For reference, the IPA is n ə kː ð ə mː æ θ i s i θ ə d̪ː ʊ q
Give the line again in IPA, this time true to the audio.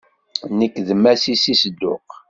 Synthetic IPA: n ə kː ð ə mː æ s i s i s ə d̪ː ʊ q